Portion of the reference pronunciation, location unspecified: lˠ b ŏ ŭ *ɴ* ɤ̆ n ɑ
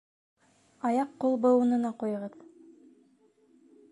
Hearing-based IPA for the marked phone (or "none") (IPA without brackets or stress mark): n